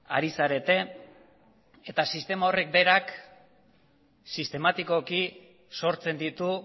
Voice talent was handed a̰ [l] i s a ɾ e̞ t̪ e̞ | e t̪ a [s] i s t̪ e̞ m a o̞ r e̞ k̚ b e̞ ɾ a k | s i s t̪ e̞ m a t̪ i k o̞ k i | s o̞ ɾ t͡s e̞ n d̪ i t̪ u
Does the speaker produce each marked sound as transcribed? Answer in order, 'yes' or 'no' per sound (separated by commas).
no, yes